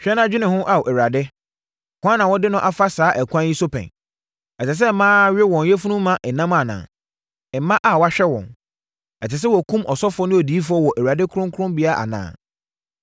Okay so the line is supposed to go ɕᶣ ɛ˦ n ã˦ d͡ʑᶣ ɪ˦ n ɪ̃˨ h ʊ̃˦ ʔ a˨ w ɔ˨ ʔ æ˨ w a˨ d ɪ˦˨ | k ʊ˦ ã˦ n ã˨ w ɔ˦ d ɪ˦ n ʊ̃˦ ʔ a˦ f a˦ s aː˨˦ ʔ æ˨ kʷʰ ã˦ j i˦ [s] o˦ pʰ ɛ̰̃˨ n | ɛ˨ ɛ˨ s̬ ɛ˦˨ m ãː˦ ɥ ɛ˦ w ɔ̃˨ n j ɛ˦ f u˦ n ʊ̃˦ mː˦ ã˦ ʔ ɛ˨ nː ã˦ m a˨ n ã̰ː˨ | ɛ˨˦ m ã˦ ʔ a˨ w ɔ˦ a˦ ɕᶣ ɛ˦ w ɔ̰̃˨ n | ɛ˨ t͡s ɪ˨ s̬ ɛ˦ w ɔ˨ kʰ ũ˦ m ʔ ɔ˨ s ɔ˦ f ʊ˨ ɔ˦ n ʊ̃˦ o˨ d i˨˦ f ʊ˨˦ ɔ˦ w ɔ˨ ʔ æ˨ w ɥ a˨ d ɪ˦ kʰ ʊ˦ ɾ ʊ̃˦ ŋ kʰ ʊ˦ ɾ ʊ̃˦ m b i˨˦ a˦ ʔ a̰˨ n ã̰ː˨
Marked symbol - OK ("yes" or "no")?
yes